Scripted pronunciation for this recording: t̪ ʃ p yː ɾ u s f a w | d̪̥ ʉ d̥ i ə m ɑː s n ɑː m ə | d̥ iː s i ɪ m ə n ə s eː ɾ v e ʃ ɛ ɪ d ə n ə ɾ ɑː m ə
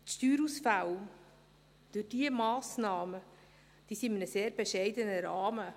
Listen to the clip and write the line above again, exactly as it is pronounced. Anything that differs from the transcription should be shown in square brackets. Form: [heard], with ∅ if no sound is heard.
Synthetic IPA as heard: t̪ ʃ [t] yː ɾ u s f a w | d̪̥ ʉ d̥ i ə m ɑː s n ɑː m ə | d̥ iː s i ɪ m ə n ə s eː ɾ [b] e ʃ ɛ ɪ d ə n ə ɾ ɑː m ə

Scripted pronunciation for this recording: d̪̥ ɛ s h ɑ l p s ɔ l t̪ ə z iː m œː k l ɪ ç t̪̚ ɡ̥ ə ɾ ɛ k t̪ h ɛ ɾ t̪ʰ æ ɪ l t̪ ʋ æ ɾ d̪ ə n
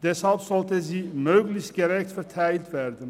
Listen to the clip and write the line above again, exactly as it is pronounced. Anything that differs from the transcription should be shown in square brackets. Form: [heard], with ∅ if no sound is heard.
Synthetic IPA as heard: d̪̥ ɛ s h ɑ l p s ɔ l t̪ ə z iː m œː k l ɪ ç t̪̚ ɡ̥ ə ɾ ɛ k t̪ [f] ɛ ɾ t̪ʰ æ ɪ l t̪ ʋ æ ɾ d̪ ə n

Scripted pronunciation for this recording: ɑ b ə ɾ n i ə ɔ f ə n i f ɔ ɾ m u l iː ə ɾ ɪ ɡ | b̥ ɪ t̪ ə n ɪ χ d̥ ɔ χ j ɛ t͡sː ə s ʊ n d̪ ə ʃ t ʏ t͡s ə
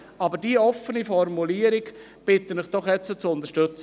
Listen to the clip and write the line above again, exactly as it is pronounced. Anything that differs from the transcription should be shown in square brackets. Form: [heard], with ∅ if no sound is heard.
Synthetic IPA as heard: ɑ b ə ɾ [d] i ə ɔ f ə n i f ɔ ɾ m u l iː ə ɾ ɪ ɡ | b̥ ɪ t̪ ə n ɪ χ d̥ ɔ χ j ɛ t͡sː ə [t͡s] ʊ n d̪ ə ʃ t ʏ t͡s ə

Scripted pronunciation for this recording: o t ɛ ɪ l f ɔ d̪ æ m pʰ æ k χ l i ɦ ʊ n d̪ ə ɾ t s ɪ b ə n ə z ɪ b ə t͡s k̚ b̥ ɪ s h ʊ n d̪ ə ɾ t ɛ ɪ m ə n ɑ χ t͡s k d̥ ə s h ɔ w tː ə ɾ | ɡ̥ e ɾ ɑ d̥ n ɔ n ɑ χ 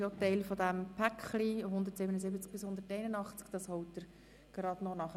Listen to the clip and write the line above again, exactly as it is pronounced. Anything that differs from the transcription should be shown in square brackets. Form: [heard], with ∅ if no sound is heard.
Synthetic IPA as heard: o t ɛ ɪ l f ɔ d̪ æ m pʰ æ k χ l i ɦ ʊ n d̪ ə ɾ t s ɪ b ə n ə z ɪ b ə t͡s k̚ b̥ ɪ s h ʊ n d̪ ə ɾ t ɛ ɪ [n] ə n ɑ χ t͡s k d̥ [ɑ] s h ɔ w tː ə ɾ | ɡ̥ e ɾ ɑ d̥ n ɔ n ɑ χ

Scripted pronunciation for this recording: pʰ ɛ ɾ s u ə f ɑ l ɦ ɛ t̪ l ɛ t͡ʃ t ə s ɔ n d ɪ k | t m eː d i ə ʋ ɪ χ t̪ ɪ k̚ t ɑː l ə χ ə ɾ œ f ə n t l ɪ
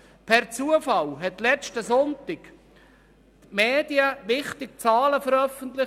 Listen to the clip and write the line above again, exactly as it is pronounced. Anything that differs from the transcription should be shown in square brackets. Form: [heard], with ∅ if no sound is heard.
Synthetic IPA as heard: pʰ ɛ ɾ [t͡s] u ə f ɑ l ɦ ɛ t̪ l ɛ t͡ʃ t ə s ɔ n [t] ɪ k | t m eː d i ə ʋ ɪ χ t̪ ɪ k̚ [t͡s] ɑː l ə [f] ə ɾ œ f ə n t l ɪ

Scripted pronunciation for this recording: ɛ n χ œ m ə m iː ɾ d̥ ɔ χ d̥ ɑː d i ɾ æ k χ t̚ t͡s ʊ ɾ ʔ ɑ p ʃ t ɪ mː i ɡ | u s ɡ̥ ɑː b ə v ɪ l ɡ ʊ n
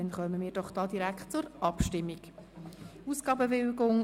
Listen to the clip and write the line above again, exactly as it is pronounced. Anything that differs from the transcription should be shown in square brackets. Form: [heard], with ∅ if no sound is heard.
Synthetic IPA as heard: ɛ n χ œ m ə m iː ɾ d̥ ɔ χ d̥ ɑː d i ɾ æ k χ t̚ t͡s ʊ ɾ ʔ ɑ p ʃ t ɪ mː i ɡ | u s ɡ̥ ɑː b ə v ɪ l ɡ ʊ [ŋ]

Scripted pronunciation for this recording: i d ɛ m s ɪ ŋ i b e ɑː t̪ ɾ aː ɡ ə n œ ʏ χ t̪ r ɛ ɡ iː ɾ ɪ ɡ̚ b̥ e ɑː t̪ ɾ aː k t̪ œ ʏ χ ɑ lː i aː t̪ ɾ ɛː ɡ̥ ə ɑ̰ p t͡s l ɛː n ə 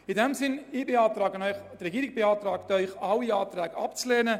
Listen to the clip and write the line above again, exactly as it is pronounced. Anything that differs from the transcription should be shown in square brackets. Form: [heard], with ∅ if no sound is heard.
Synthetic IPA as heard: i d ɛ m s ɪ [n] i b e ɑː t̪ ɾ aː ɡ ə n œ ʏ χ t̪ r ɛ ɡ iː ɾ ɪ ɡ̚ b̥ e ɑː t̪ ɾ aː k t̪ œ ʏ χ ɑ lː i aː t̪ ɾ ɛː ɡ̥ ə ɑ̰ p t͡s l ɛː n ə

